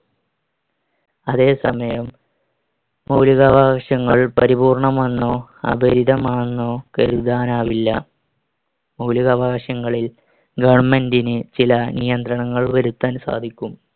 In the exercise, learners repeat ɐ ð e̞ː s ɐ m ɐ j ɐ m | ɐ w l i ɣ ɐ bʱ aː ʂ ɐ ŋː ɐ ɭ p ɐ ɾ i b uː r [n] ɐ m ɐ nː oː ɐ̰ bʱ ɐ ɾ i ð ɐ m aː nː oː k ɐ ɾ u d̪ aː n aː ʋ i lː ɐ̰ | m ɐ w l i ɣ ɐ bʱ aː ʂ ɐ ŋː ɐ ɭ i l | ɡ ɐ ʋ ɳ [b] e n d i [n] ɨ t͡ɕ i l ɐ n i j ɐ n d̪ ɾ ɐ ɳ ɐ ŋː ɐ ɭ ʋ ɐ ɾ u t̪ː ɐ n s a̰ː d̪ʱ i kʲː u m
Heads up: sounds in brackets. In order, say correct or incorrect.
incorrect: ɳ, incorrect: m, correct

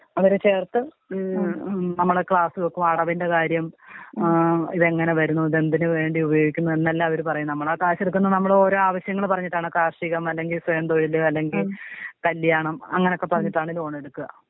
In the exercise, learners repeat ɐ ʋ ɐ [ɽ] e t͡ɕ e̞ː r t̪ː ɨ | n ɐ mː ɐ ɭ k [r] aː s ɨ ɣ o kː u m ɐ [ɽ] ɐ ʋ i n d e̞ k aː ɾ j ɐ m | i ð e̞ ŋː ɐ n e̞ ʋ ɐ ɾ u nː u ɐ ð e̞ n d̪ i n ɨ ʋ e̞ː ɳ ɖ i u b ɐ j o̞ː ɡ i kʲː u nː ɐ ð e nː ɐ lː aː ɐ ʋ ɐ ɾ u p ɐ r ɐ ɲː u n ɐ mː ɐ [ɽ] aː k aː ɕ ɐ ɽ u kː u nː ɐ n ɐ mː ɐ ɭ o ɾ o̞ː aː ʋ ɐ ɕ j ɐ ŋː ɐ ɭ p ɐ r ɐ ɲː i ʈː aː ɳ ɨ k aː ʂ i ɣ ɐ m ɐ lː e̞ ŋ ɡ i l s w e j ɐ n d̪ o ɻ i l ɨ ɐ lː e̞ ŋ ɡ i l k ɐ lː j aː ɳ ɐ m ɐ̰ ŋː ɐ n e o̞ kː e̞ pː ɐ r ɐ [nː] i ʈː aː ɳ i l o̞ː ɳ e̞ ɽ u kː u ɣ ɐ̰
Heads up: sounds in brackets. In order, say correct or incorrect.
incorrect: ɾ, incorrect: ɭ, correct, incorrect: ɭ, incorrect: ɲː

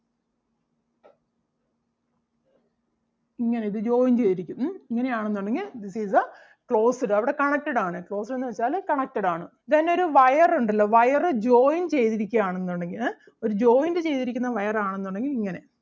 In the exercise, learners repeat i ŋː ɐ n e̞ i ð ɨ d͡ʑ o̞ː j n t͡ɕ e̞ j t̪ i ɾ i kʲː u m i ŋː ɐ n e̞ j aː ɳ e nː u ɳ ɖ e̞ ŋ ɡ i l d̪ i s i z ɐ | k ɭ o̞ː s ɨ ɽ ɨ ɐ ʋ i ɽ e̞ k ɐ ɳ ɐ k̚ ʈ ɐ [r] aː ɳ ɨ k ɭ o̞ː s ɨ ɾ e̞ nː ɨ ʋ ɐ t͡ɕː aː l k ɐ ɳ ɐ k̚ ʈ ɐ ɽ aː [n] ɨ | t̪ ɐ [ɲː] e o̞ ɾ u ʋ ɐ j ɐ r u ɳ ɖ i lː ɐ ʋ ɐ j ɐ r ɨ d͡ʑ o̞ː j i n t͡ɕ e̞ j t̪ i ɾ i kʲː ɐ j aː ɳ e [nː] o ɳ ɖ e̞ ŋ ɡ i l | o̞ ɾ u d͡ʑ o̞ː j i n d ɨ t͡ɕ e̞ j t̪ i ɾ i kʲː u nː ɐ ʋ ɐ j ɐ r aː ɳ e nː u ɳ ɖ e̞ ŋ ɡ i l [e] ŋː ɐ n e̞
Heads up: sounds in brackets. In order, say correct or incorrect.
incorrect: ɽ, incorrect: ɳ, incorrect: nː, correct, incorrect: i

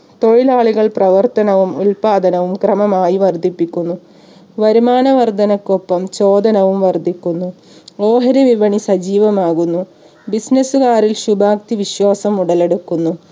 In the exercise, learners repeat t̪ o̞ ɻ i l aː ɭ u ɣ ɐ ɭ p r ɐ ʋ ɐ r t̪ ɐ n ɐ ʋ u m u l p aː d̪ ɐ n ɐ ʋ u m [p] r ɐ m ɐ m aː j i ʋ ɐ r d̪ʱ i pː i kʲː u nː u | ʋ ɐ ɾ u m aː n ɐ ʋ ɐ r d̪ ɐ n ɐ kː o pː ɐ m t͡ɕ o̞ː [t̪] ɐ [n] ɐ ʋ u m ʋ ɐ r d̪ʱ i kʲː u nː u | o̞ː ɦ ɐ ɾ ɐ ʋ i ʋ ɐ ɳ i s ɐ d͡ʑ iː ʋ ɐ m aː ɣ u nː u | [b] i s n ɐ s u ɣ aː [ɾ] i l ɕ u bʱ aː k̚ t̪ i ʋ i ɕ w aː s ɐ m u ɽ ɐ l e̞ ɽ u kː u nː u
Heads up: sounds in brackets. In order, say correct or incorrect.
incorrect: k, incorrect: d̪, correct, correct, correct

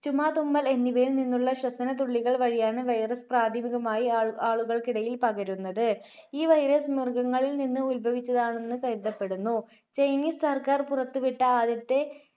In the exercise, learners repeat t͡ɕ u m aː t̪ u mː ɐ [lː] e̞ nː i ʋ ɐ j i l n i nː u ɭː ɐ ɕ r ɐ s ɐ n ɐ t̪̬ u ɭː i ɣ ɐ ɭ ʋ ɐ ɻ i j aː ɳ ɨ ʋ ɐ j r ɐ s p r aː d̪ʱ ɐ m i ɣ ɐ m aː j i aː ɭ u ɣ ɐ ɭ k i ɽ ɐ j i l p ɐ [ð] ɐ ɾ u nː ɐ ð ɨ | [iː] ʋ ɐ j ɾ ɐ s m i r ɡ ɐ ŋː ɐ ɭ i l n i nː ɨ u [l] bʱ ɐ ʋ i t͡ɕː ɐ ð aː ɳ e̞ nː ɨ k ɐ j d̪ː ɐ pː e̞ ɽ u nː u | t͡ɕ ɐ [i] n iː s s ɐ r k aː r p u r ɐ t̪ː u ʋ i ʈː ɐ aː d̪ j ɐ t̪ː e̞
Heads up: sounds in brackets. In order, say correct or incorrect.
incorrect: l, incorrect: ɣ, correct, correct, incorrect: j

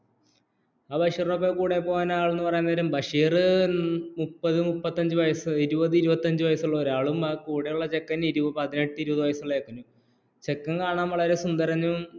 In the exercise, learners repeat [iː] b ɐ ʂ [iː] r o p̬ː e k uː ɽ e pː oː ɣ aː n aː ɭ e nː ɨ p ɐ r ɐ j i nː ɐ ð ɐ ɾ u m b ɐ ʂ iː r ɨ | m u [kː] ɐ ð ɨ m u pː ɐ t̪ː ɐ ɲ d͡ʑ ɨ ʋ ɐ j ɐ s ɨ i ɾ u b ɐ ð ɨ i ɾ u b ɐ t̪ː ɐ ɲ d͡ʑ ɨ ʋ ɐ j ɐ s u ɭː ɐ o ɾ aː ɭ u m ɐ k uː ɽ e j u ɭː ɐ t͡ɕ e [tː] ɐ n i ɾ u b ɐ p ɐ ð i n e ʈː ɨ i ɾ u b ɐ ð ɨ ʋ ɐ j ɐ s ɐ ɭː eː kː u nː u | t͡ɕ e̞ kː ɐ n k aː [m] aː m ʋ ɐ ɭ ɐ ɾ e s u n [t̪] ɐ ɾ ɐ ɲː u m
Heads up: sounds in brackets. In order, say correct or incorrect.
incorrect: aː, correct, incorrect: pː, incorrect: kː, incorrect: ɳ, incorrect: d̪

